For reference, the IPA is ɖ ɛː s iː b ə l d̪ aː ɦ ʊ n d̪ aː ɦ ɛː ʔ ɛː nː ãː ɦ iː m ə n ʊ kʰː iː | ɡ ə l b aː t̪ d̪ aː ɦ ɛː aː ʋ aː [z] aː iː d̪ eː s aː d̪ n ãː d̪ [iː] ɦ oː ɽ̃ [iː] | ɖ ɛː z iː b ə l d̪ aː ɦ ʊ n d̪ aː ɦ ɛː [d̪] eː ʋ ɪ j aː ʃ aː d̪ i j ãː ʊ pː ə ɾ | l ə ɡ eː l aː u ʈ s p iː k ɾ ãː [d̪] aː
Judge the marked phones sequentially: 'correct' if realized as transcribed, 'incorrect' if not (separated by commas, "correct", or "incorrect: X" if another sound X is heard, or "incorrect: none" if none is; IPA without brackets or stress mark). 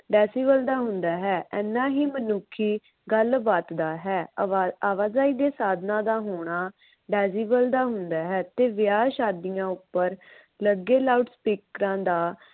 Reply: correct, incorrect: aː, incorrect: aː, incorrect: t̪, correct